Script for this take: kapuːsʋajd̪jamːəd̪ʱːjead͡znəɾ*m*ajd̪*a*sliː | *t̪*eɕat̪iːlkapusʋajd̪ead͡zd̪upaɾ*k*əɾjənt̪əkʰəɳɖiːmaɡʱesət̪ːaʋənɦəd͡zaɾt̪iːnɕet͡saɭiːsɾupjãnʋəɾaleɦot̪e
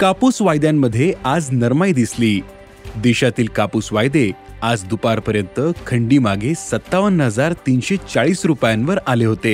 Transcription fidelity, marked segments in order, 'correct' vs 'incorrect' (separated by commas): correct, incorrect, incorrect, incorrect